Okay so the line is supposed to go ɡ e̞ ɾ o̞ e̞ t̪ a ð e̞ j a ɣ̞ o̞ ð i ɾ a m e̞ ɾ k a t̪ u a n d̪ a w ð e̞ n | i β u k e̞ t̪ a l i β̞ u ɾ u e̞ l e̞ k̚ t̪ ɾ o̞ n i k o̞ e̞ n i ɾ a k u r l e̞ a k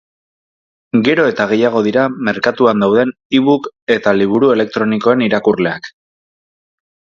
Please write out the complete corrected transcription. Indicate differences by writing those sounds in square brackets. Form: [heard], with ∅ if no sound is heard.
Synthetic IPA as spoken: ɡ e̞ ɾ o̞ e̞ t̪ a [ɣ] e̞ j a ɣ̞ o̞ ð i ɾ a m e̞ ɾ k a t̪ u a n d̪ a w ð e̞ n | i β u k e̞ t̪ a l i β̞ u ɾ u e̞ l e̞ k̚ t̪ ɾ o̞ n i k o̞ e̞ n i ɾ a k u r l e̞ a k